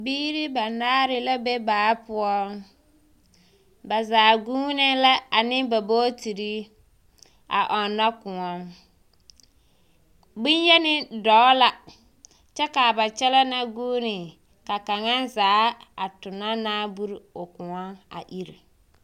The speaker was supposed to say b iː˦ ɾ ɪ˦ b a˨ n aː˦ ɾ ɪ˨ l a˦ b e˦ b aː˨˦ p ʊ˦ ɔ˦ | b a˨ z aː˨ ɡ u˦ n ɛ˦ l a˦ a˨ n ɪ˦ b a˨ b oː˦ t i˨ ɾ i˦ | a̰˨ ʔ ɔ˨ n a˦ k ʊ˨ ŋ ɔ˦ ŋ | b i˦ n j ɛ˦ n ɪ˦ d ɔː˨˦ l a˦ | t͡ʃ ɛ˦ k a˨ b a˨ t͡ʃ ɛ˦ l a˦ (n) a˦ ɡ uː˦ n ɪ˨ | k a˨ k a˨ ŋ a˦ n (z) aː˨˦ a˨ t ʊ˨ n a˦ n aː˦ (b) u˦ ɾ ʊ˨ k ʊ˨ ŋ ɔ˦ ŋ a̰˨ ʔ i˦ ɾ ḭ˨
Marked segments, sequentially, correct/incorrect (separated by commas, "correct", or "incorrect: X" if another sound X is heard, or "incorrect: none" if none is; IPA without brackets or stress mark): correct, correct, correct